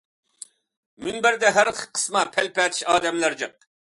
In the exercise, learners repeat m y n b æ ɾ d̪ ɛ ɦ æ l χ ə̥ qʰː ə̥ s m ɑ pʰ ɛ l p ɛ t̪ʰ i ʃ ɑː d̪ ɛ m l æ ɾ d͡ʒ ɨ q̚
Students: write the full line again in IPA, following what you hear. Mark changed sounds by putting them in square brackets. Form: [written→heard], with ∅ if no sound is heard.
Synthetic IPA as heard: m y n b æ ɾ d̪ ɛ ɦ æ [l→ɾ] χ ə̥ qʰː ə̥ s m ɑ pʰ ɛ l p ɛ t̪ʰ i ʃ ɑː d̪ ɛ m l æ ɾ d͡ʒ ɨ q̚